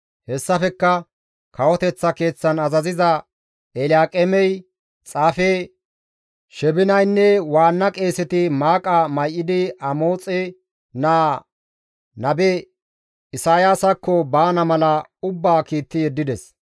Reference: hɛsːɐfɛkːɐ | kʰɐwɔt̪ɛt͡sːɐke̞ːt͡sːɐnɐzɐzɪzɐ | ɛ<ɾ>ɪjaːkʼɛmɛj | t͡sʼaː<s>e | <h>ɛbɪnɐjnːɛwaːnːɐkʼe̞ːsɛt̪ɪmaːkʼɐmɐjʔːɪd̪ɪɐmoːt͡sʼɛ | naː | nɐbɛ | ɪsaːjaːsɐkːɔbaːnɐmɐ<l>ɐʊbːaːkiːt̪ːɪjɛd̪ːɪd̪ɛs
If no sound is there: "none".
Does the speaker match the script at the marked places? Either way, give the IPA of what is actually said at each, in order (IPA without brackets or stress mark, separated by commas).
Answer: l, f, ʃ, l